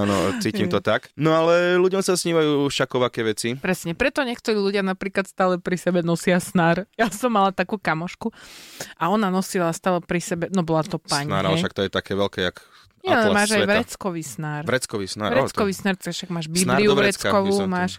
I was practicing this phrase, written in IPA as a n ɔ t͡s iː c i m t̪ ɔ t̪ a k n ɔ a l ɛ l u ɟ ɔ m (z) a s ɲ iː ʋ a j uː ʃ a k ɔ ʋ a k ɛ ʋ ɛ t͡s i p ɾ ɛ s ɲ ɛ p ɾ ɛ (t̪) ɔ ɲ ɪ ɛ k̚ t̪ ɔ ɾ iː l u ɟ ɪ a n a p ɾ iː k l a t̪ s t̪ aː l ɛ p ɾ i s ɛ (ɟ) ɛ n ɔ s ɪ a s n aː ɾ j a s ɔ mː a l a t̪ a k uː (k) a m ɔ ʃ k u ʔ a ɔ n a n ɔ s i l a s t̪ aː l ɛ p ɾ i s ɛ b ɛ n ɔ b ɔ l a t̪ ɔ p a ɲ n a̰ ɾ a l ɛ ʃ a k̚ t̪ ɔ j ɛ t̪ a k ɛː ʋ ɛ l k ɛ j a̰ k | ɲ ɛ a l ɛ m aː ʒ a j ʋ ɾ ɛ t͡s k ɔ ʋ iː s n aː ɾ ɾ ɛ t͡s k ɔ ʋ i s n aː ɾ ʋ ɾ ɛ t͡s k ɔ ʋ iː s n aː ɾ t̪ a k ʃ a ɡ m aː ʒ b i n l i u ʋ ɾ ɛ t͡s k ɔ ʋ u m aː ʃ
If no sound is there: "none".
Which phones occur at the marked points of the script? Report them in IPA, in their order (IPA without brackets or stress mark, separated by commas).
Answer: s, t̪, b, k